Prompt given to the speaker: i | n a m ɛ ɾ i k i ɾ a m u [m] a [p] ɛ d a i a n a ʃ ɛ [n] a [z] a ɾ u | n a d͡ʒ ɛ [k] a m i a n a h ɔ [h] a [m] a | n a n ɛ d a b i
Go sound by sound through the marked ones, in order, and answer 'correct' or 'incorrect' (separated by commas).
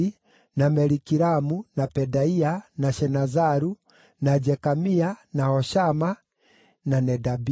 incorrect, correct, correct, correct, correct, incorrect, correct